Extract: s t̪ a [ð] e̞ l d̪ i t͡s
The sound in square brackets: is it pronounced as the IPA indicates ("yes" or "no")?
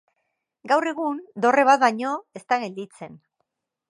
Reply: no